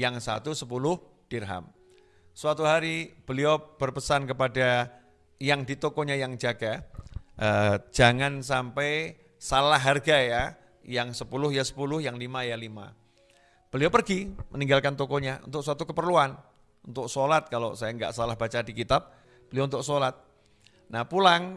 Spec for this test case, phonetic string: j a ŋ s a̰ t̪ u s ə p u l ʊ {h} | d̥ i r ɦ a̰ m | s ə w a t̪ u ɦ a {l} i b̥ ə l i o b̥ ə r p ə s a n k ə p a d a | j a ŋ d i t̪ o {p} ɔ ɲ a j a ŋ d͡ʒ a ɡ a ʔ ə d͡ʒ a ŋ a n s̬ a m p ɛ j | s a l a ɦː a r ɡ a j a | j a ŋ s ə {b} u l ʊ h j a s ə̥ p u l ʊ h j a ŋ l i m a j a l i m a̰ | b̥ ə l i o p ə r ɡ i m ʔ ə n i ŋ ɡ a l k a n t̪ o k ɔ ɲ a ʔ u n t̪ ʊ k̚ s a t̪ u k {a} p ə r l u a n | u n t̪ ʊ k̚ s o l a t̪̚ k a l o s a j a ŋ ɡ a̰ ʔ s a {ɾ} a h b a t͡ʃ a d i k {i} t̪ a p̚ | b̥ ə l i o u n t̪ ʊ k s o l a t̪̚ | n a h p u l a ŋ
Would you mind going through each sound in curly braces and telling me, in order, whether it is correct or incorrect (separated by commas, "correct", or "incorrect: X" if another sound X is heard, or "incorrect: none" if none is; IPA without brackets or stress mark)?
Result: correct, incorrect: ɾ, incorrect: k, incorrect: p, incorrect: ə, incorrect: l, correct